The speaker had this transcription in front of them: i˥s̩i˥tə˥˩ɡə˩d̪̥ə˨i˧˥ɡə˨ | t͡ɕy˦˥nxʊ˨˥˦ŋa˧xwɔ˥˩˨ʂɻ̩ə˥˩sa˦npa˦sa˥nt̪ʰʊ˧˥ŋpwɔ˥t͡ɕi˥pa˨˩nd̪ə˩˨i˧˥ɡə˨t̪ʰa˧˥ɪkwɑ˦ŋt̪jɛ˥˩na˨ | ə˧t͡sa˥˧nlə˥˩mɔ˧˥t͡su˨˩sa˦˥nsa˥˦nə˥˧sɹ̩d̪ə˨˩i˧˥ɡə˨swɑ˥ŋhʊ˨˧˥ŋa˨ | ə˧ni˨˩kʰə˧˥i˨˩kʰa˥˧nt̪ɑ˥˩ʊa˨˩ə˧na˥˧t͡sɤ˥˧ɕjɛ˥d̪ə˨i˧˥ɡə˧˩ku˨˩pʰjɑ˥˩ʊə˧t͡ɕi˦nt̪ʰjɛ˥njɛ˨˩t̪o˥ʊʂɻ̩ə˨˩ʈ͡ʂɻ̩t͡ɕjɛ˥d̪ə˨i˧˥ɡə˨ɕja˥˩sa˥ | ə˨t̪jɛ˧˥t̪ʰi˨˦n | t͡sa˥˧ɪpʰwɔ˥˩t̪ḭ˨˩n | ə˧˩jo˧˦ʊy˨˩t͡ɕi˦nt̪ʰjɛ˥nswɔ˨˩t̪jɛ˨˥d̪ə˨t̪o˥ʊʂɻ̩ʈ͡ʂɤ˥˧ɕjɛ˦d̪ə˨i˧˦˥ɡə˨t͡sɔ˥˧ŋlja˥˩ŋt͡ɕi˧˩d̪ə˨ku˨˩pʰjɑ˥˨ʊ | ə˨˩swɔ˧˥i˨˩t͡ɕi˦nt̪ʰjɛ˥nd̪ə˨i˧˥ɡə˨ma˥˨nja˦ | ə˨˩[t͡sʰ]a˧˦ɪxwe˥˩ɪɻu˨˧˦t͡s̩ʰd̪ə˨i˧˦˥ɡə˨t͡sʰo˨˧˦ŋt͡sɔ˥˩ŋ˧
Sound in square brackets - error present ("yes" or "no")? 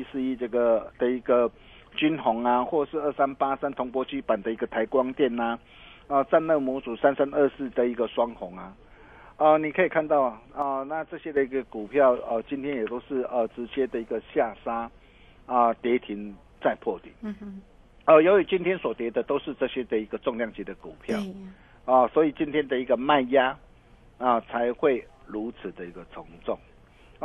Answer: no